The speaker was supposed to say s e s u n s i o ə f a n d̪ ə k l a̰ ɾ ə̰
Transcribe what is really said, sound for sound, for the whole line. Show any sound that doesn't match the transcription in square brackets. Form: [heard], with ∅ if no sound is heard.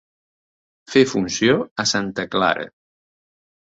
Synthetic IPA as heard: [f] e [f] u n s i o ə [s] a n [t̪] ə k l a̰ ɾ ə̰

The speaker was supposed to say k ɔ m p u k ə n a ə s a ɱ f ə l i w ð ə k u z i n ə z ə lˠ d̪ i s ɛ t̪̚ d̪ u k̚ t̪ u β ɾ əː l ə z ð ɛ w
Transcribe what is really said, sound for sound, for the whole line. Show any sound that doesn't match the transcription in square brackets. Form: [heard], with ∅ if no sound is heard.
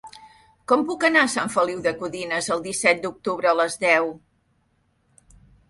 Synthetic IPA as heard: k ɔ m p u k ə n a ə s a ɱ f ə l i w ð ə k u [ð] i n ə z ə lˠ d̪ i s ɛ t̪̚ d̪ u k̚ t̪ u β ɾ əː l ə z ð ɛ w

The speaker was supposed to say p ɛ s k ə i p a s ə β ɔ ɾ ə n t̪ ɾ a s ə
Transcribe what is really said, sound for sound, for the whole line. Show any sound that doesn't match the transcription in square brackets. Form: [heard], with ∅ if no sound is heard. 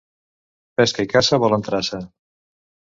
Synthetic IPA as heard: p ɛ s k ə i [k] a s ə β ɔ [l] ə n t̪ ɾ a s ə

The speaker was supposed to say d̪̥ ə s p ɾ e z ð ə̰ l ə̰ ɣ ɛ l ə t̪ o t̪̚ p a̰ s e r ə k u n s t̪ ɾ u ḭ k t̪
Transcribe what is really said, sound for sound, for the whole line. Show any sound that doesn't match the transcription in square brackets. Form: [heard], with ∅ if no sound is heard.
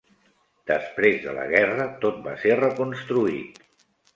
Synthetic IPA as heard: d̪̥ ə s p ɾ e z ð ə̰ l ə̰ ɣ ɛ [r] ə t̪ o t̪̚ [b] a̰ s e r ə k u n s t̪ ɾ u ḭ [∅] t̪

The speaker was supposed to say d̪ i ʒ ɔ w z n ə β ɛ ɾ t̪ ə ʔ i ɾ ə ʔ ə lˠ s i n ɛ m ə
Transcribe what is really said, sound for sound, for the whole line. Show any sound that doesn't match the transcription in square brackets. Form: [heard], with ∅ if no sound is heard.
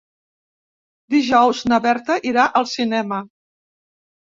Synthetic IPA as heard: d̪ i ʒ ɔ w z n ə β ɛ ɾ t̪ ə ʔ i ɾ [a] ʔ ə lˠ s i n ɛ m ə

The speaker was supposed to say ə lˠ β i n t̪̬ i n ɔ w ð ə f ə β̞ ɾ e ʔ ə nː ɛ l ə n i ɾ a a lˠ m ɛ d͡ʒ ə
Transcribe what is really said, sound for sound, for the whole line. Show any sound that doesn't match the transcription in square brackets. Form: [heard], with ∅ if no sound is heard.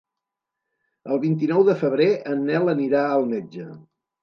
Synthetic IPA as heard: ə lˠ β i n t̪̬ i n ɔ w ð ə f ə β̞ ɾ e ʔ ə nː ɛ l ə n i ɾ a [ə] lˠ m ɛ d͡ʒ ə

